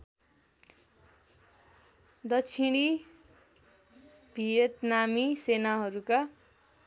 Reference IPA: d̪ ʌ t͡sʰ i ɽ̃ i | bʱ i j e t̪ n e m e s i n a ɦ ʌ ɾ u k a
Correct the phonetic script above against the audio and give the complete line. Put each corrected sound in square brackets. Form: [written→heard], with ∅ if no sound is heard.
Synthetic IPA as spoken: d̪ ʌ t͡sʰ i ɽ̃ i | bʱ i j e t̪ n [e→a] m [e→i] s [i→e] n a ɦ ʌ ɾ u k a